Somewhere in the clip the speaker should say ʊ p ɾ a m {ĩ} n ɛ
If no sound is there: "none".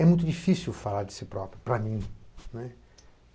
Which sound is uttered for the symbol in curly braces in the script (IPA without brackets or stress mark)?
ĩ